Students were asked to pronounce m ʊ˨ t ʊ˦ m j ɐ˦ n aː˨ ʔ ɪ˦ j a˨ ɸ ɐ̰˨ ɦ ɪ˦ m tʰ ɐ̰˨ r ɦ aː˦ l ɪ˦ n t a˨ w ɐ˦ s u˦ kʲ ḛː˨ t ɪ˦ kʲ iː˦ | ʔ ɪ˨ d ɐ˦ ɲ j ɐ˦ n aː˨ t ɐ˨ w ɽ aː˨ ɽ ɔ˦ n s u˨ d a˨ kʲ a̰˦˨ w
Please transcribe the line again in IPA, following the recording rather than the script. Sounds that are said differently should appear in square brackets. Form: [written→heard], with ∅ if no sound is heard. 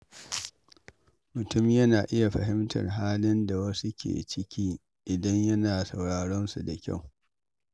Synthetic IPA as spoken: m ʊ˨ t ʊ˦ m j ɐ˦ n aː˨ ʔ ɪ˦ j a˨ ɸ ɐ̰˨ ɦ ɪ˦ m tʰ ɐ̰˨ r ɦ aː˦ l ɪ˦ n [t→d] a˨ w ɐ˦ s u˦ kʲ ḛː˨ [t→t͡ʃ] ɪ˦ kʲ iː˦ | ʔ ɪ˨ d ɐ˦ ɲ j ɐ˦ n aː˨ [t→s] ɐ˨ w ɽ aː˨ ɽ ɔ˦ n s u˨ d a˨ kʲ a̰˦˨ w